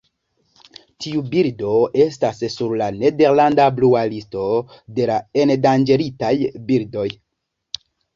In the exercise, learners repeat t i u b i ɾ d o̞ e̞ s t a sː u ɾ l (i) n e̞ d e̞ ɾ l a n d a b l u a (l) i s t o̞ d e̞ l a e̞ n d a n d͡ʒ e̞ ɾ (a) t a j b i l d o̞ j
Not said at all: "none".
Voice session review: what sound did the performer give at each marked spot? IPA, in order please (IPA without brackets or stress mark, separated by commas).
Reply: a, l, i